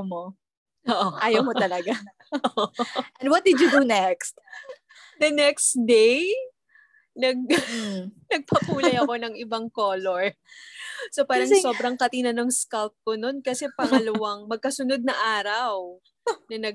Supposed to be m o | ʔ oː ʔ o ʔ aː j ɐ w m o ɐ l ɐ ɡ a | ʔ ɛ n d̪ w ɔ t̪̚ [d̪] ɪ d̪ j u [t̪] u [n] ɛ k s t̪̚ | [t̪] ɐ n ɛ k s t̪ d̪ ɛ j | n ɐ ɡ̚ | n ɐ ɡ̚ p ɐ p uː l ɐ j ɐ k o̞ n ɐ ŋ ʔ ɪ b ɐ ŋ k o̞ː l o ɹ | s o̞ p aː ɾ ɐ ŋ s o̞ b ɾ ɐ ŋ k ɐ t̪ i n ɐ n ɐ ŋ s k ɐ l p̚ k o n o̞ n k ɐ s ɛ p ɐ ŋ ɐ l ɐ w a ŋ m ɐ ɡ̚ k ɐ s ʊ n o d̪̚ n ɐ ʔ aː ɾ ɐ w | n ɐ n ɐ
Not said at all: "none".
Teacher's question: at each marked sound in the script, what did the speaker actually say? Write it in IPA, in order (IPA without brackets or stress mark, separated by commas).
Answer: d̪, d̪, n, d̪